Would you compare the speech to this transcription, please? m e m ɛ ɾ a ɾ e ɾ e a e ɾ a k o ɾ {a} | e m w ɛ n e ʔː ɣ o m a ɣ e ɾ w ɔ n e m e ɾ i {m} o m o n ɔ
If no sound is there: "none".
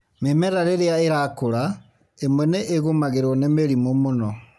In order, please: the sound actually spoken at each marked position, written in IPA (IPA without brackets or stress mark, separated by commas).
a, m